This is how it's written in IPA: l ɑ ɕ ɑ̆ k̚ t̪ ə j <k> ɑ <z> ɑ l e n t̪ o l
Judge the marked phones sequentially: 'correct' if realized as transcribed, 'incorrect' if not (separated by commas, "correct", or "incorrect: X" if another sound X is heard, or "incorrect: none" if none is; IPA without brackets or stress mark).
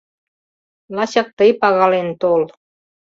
incorrect: p, incorrect: ɣ